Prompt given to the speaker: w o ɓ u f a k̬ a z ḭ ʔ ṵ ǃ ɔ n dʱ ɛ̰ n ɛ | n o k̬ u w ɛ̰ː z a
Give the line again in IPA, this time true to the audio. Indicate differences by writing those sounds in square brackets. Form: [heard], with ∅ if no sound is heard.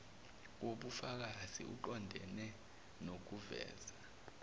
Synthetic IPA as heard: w o ɓ u f a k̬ a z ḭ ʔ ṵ ǃ ɔ n dʱ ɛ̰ n ɛ | n o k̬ u [v] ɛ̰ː z a